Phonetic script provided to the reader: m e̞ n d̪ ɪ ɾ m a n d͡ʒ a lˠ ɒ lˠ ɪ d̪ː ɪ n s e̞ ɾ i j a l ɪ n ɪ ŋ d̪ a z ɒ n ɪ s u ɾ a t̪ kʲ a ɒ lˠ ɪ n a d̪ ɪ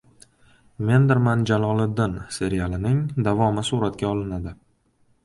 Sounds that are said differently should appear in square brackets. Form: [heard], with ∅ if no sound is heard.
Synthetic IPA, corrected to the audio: m e̞ n d̪ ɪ ɾ m a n d͡ʒ a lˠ ɒ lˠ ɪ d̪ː ɪ n s e̞ ɾ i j a l ɪ n ɪ ŋ d̪ a [v] ɒ [m] ɪ s u ɾ a t̪ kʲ a ɒ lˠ ɪ n a d̪ ɪ